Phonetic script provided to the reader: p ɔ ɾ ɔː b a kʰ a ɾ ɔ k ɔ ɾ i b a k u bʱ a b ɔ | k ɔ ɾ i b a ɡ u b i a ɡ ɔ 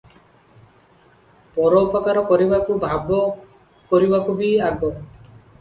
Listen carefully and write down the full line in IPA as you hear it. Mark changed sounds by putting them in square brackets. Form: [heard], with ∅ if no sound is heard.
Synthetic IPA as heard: p ɔ ɾ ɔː [p] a [k] a ɾ ɔ k ɔ ɾ i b a k u bʱ a b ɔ | k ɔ ɾ i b a [k] u b i a ɡ ɔ